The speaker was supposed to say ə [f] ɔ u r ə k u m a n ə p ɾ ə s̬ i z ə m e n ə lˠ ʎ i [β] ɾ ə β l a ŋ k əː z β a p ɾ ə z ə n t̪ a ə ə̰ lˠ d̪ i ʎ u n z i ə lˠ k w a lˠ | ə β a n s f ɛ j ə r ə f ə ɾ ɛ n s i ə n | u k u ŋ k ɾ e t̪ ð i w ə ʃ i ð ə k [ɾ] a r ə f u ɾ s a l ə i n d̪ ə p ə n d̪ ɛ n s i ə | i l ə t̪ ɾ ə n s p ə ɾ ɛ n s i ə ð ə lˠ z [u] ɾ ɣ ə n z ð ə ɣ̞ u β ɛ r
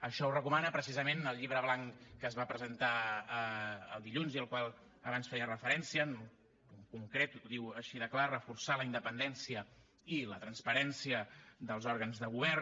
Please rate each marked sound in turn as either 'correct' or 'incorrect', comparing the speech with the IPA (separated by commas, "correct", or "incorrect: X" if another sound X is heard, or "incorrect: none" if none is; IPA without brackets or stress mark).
incorrect: ʃ, correct, incorrect: l, incorrect: ɔ